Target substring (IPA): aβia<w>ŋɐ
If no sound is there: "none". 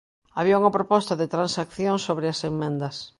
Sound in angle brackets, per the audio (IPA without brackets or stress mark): u